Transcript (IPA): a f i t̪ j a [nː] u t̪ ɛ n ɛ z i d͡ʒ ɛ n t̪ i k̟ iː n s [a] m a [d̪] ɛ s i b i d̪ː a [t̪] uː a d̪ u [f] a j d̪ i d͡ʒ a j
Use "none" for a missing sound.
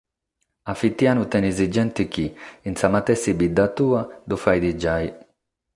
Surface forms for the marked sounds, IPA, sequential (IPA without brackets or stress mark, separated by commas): n, a, t̪, t̪, f